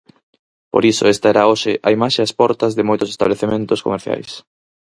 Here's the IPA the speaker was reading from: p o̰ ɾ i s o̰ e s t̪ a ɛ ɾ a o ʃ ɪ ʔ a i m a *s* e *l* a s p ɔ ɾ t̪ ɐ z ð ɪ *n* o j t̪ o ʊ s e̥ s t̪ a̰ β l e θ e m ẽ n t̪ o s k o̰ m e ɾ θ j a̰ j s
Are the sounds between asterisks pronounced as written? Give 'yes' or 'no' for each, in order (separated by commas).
no, no, no